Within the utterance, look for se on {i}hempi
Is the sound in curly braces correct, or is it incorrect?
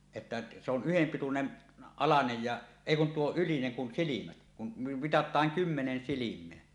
incorrect